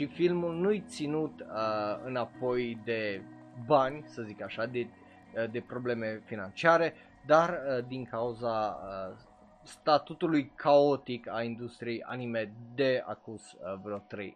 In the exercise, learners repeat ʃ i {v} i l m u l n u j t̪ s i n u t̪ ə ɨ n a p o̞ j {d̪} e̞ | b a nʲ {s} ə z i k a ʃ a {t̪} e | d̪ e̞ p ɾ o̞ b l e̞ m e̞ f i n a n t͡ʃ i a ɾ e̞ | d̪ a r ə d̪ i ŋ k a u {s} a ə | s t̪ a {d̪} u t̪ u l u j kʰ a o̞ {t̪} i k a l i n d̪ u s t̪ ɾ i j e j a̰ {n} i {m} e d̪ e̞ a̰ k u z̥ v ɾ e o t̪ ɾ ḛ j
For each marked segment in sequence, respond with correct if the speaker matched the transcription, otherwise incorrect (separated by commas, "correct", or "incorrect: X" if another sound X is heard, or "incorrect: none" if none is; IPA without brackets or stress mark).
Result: incorrect: f, correct, correct, incorrect: d̪, incorrect: z, incorrect: t̪, correct, correct, correct